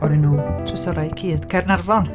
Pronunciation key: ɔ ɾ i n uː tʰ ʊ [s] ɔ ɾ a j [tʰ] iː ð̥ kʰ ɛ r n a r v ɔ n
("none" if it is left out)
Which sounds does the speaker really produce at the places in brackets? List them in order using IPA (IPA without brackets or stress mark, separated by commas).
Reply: s, kʰ